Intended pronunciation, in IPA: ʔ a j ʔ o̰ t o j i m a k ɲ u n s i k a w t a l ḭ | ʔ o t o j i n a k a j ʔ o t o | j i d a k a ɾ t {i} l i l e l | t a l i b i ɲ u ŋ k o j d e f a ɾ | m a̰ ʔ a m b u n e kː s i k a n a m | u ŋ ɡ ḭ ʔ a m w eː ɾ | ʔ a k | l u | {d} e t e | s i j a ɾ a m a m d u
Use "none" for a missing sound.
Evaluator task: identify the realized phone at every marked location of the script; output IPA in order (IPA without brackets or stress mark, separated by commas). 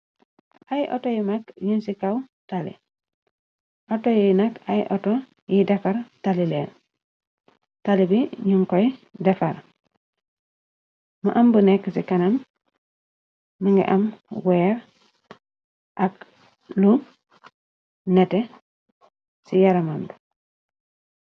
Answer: a, n